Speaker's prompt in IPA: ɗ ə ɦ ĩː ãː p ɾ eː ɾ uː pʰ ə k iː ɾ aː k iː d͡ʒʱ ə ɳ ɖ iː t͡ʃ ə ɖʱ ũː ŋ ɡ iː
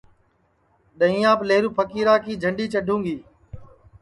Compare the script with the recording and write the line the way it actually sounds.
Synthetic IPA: ɗ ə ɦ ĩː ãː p l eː ɾ uː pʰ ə k iː ɾ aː k iː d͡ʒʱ ə ɳ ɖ iː t͡ʃ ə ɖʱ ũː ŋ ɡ iː